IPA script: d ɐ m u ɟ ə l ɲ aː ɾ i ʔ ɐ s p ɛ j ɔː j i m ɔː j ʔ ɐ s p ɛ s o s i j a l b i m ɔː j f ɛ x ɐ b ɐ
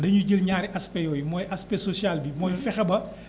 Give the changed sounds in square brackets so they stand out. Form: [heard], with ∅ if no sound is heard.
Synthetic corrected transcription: d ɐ [ɲ] u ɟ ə l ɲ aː ɾ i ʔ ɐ s p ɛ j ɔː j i m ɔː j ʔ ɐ s p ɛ s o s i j a l b i m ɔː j f ɛ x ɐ b ɐ